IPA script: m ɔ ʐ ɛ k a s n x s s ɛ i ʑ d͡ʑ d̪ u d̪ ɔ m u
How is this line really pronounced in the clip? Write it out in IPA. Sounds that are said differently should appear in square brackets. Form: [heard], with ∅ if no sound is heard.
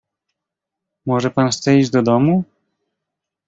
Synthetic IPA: m ɔ ʐ ɛ [p] a [∅] n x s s ɛ i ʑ d͡ʑ d̪ [ɔ] d̪ ɔ m u

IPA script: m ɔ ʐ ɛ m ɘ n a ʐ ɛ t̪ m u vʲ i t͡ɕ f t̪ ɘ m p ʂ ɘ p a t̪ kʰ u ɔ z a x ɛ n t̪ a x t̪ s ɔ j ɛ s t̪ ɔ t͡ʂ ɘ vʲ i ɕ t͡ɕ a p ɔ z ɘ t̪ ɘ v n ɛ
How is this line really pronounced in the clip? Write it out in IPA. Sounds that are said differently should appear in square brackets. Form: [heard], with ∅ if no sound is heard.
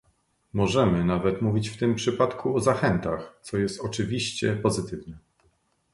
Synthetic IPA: m ɔ ʐ ɛ m ɘ n a [v] ɛ t̪ m u vʲ i t͡ɕ f t̪ ɘ m p ʂ ɘ p a t̪ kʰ u ɔ z a x ɛ n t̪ a x t̪ s ɔ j ɛ s t̪ ɔ t͡ʂ ɘ vʲ i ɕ t͡ɕ [ɛ] p ɔ z ɘ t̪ ɘ v n ɛ

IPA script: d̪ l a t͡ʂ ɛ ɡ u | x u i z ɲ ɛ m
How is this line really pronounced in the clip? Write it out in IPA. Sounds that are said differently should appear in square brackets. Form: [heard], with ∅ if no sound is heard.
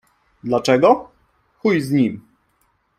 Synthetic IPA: d̪ l a t͡ʂ ɛ ɡ [ɔ] | x u [j] z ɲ [i] m

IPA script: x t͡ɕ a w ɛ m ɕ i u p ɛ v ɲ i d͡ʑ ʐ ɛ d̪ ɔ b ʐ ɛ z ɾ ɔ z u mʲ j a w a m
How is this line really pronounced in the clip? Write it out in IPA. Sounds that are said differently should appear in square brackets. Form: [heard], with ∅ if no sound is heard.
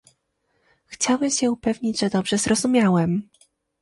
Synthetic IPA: x t͡ɕ a w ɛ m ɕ [ɛ] u p ɛ v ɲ i d͡ʑ ʐ ɛ d̪ ɔ b ʐ ɛ z ɾ ɔ z u mʲ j a w [ɛ] m

